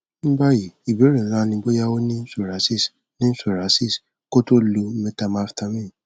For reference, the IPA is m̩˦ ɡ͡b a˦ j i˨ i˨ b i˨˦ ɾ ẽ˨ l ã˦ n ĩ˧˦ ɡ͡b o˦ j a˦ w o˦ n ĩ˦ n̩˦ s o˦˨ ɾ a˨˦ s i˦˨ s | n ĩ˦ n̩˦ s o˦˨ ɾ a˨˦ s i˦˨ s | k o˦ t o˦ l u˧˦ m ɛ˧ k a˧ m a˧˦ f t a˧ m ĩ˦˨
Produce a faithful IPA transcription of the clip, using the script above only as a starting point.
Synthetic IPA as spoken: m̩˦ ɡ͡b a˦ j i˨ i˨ b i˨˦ ɾ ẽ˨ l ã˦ n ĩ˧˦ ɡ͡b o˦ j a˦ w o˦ n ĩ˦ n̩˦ s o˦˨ ɾ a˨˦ s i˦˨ s | n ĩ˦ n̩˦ s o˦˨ ɾ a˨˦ s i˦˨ s | k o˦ t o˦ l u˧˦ m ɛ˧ t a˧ m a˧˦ f t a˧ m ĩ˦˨